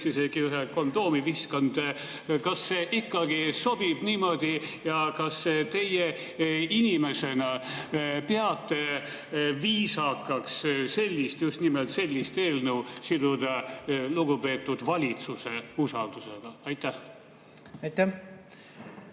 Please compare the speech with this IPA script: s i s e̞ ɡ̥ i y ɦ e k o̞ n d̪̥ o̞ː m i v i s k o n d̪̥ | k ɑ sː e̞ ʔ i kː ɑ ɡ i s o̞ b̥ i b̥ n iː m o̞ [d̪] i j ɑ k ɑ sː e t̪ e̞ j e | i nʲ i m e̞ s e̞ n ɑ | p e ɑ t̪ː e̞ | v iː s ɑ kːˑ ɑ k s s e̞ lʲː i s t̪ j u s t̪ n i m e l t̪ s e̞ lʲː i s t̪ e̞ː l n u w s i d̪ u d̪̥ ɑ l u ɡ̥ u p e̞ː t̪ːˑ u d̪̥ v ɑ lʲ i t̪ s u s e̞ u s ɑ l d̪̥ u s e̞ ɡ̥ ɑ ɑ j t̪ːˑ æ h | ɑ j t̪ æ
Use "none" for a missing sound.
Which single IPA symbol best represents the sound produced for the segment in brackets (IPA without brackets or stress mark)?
d̪